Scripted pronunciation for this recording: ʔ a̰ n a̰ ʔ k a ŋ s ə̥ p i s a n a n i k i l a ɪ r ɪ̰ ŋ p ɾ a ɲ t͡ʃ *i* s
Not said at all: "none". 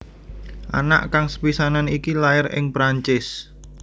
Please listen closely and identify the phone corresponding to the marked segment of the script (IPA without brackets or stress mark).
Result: ɪ